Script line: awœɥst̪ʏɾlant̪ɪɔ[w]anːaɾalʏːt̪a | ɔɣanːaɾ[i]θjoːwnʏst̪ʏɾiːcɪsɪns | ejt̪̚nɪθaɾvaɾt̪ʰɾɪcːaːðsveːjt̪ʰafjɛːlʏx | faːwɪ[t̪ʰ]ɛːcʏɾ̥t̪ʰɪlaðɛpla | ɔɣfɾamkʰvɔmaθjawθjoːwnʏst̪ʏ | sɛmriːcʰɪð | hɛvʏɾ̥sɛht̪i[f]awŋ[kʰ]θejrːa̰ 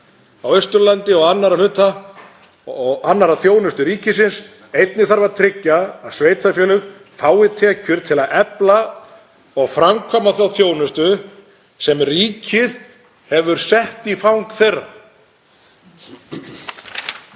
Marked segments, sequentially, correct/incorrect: incorrect, incorrect, correct, correct, incorrect

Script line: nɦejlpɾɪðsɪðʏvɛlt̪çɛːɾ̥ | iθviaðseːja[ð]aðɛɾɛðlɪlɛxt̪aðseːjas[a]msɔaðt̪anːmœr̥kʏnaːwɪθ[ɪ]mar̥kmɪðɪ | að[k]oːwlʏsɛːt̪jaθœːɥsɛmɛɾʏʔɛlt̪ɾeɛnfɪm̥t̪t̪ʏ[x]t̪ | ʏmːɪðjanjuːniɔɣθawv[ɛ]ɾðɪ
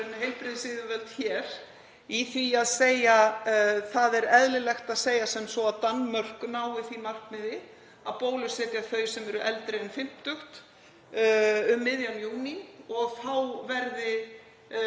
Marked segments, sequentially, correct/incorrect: incorrect, incorrect, incorrect, incorrect, correct, correct

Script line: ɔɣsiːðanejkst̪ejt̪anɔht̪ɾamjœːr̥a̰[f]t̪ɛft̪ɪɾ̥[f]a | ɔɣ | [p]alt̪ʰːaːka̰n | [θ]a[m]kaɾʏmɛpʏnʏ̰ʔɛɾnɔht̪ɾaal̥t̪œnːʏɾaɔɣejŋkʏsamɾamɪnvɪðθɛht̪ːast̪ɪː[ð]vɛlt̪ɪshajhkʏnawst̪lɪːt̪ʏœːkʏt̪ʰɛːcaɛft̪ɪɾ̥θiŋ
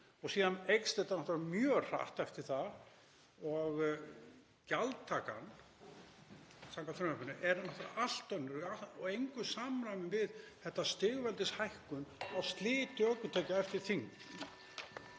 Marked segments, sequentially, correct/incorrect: incorrect, incorrect, incorrect, incorrect, incorrect, incorrect

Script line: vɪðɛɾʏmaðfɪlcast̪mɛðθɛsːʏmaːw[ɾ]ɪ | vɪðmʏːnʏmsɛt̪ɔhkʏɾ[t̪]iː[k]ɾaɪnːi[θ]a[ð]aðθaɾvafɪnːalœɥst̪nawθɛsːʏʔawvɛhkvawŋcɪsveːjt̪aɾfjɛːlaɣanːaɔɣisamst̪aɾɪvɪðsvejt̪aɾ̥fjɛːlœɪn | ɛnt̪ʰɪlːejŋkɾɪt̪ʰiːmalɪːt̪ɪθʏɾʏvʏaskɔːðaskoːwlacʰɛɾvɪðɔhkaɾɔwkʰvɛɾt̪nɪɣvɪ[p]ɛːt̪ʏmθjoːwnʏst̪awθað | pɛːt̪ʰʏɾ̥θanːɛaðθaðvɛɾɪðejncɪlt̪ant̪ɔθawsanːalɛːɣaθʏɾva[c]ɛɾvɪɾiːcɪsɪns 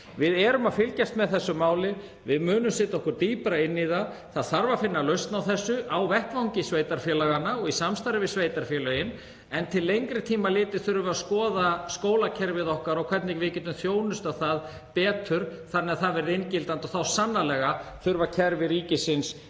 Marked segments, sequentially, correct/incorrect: incorrect, correct, incorrect, incorrect, incorrect, incorrect, incorrect

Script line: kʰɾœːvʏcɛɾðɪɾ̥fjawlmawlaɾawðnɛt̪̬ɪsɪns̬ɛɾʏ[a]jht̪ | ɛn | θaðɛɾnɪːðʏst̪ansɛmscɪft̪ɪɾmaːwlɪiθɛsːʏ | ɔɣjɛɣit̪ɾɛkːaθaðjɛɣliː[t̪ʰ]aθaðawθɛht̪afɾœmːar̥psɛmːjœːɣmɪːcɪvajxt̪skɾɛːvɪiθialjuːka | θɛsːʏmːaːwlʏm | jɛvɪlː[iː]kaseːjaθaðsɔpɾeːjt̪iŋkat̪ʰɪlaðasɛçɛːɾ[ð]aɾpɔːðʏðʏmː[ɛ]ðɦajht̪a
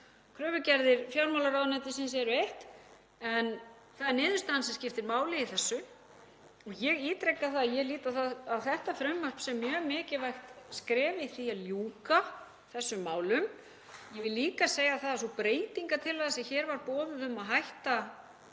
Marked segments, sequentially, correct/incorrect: incorrect, incorrect, correct, incorrect, incorrect

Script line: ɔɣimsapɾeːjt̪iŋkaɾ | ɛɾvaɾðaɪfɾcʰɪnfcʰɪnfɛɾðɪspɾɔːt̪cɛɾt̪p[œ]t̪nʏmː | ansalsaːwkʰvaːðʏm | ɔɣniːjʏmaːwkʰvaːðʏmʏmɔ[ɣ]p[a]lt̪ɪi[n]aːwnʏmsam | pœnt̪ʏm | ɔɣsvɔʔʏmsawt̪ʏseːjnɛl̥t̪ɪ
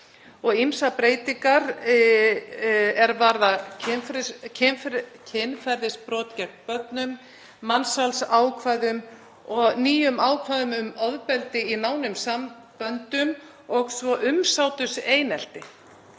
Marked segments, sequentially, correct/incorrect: correct, incorrect, incorrect, correct

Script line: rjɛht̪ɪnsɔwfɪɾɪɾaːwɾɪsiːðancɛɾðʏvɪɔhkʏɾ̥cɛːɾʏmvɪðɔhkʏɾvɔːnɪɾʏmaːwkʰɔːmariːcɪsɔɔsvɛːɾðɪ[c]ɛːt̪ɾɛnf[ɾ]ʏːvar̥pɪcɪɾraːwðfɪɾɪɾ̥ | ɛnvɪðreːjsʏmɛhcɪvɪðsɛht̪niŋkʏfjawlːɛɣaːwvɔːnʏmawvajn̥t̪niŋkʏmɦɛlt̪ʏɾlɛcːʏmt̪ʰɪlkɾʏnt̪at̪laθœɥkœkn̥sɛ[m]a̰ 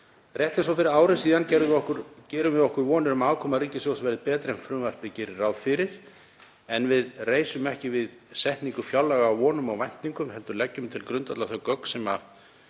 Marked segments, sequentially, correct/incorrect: incorrect, correct, correct

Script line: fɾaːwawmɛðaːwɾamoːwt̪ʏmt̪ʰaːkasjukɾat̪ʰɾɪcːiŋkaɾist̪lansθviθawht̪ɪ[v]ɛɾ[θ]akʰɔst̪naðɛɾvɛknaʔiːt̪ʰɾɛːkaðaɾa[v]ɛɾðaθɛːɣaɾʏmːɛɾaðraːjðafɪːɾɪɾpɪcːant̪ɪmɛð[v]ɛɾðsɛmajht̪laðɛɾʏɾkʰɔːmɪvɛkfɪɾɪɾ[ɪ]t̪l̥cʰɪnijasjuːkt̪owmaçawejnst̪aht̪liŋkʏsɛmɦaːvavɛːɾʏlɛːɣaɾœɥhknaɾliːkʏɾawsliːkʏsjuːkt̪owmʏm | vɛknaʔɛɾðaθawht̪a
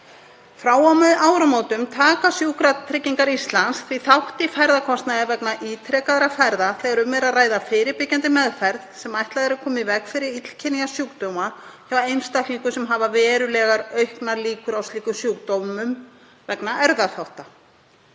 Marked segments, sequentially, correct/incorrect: incorrect, incorrect, incorrect, incorrect, incorrect

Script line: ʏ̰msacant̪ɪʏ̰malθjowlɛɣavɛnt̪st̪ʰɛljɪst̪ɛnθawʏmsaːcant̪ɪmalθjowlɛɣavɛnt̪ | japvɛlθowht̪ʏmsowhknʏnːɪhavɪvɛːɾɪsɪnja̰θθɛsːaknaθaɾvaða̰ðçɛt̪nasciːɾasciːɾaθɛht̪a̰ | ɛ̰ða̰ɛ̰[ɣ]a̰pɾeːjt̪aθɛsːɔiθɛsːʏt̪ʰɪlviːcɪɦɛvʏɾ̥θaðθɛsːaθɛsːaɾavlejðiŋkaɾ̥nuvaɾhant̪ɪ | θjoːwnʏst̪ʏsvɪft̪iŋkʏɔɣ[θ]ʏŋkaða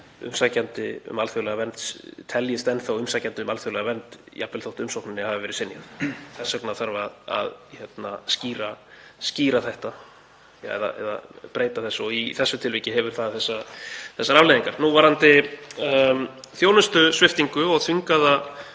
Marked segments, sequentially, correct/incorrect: incorrect, correct

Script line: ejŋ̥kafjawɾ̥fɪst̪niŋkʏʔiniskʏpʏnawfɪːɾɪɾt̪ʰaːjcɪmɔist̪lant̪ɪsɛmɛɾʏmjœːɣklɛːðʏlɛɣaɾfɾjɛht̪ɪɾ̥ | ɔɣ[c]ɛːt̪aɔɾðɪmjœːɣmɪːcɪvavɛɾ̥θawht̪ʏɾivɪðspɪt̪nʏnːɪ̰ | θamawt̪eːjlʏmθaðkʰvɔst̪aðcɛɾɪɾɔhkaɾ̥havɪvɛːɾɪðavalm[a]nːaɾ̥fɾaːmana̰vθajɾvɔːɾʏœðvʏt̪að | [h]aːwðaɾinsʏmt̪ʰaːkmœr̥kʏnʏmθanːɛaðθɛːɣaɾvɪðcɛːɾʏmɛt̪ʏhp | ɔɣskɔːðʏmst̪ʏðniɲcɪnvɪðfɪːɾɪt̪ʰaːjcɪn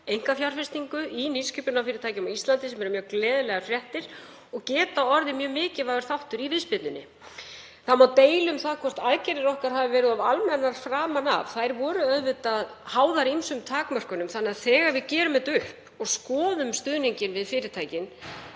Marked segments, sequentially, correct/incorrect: correct, incorrect, correct

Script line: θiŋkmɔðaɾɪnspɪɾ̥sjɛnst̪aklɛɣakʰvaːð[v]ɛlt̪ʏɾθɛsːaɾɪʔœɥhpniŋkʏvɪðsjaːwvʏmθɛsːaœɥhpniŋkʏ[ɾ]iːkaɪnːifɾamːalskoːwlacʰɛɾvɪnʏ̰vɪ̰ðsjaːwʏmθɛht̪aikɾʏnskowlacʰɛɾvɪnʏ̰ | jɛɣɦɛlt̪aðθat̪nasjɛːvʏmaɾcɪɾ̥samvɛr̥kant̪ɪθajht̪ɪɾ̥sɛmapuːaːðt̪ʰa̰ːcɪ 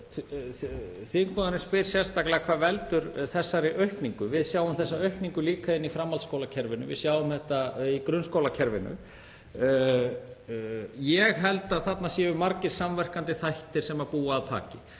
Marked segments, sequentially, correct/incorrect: correct, incorrect

